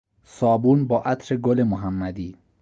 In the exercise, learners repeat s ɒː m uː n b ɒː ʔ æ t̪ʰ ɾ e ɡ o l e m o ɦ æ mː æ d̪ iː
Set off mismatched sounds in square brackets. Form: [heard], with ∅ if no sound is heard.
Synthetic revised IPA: s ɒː [b] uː n b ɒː ʔ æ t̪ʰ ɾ e ɡ o l e m o ɦ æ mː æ d̪ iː